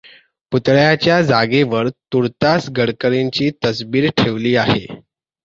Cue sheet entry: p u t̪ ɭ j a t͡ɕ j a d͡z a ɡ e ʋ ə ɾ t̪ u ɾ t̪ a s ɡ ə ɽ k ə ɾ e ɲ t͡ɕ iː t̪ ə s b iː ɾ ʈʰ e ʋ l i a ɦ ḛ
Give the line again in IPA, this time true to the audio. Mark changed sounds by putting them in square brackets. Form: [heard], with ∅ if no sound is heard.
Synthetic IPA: p u t̪ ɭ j a t͡ɕ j a d͡z a ɡ e ʋ ə ɾ t̪ u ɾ t̪ a s ɡ ə ɽ k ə ɾ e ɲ t͡ɕ iː t̪ ə s b iː ɾ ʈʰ e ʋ l [iː] a ɦ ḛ